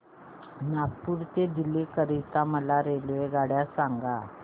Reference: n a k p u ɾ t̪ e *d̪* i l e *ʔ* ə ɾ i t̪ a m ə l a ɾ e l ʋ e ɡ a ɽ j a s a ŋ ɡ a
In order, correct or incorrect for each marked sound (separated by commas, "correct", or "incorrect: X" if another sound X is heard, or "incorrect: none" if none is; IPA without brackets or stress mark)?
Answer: correct, incorrect: k